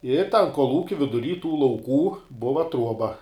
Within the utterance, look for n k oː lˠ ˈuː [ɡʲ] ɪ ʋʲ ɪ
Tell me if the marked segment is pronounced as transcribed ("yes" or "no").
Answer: no